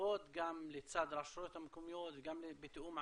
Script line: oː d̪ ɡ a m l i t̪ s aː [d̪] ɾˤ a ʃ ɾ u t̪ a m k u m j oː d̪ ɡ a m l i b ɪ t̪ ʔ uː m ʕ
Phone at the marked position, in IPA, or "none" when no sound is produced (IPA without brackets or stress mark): d̪